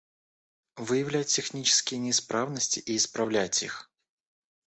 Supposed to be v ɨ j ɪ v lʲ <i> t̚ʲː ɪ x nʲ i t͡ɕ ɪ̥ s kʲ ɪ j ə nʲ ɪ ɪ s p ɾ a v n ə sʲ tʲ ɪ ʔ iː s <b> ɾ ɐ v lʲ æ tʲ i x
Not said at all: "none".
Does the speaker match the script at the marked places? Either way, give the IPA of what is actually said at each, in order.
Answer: æ, p

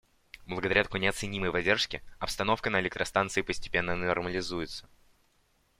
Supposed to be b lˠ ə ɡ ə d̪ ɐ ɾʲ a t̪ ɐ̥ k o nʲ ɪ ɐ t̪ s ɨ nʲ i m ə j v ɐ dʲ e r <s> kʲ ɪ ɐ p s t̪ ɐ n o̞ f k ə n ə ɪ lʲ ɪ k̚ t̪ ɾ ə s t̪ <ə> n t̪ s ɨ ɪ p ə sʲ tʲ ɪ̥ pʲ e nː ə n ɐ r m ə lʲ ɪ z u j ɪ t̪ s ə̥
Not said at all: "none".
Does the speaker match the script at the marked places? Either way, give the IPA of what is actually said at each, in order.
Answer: ʂ, a

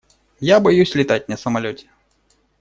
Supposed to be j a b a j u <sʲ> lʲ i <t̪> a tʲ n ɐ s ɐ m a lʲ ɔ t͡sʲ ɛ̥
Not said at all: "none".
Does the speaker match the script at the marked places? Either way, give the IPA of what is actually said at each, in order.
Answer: sʲ, t̪

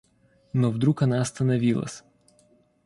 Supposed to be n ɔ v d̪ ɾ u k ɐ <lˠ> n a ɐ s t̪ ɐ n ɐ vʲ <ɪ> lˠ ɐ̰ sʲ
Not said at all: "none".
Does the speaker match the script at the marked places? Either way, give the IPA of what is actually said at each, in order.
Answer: none, i

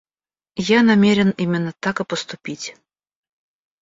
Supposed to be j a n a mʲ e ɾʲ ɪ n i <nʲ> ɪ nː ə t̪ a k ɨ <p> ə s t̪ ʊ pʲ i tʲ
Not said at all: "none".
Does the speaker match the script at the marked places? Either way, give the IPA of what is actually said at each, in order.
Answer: mʲ, p

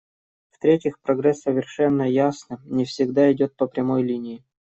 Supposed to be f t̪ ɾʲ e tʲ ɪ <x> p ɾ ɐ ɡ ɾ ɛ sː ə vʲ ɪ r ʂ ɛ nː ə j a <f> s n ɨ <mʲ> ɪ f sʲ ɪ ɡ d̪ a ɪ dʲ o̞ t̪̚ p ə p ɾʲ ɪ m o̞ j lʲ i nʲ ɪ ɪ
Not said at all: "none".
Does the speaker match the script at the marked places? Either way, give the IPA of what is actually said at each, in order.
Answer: x, none, nʲ

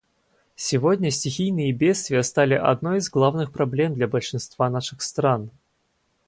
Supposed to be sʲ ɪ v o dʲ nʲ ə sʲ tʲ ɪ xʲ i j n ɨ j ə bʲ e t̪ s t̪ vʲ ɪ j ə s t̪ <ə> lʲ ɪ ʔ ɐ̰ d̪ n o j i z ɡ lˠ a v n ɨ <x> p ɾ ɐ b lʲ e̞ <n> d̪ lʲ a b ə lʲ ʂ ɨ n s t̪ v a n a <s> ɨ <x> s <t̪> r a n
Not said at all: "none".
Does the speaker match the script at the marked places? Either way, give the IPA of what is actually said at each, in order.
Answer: a, x, m, ʂ, x, t̪

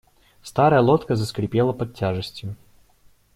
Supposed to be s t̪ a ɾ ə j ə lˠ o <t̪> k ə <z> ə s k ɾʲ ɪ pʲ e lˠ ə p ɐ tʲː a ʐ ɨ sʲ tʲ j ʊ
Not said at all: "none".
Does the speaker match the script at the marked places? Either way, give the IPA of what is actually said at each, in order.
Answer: t̪, z

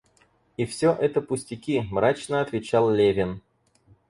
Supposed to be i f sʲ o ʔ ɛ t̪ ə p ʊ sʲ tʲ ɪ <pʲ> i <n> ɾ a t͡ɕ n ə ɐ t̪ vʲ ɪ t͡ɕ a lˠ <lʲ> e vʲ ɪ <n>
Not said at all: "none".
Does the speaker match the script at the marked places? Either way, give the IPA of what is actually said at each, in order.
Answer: kʲ, m, lʲ, n

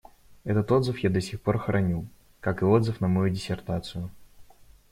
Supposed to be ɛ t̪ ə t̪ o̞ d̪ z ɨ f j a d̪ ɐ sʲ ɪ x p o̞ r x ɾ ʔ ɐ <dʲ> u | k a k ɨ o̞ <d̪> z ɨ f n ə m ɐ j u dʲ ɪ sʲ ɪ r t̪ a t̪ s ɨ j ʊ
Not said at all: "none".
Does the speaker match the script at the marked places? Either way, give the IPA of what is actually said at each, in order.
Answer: nʲ, d̪

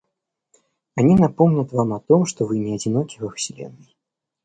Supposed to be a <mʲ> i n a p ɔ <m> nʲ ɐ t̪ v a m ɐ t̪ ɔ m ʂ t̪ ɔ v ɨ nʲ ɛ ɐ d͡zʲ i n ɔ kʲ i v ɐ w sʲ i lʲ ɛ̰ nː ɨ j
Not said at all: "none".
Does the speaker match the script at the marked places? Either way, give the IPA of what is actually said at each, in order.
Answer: nʲ, m

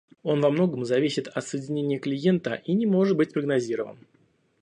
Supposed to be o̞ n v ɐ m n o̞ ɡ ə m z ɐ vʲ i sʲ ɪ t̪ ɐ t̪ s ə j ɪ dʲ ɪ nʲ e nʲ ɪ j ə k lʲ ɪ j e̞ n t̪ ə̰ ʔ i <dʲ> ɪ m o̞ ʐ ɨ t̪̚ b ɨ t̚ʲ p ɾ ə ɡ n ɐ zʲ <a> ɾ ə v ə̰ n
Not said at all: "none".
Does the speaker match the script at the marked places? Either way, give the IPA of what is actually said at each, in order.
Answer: nʲ, i

